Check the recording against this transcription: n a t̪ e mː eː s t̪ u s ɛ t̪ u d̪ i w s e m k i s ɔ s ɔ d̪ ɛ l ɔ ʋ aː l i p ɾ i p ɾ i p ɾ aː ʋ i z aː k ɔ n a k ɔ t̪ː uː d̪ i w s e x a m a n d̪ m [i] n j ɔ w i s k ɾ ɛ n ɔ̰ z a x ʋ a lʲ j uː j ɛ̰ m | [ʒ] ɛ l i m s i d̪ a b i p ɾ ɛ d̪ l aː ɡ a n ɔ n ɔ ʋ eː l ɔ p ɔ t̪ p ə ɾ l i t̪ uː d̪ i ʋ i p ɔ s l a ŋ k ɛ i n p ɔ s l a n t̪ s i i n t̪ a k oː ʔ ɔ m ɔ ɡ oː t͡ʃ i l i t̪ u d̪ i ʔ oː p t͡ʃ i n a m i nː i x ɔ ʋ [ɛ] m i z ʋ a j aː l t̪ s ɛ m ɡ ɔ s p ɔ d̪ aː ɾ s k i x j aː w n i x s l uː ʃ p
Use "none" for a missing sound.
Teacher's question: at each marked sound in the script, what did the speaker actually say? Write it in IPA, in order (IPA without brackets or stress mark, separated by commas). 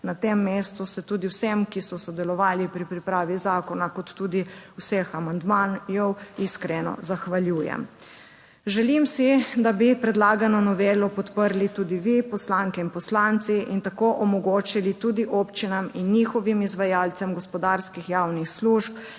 a, ʒ, i